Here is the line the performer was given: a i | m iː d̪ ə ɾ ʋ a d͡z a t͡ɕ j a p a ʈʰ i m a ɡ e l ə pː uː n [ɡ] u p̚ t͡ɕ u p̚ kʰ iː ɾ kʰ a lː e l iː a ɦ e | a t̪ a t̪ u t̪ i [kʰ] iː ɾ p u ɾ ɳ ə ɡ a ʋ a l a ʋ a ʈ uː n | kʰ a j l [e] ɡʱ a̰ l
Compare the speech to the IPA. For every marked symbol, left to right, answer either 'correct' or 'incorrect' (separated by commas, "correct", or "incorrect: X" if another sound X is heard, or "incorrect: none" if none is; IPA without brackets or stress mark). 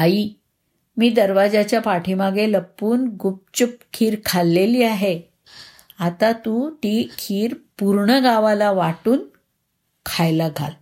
correct, correct, incorrect: a